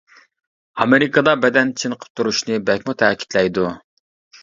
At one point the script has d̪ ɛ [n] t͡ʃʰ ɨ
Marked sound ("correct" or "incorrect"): correct